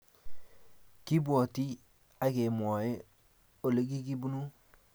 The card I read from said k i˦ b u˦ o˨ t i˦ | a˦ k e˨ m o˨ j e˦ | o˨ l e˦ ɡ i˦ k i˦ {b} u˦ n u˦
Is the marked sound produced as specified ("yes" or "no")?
yes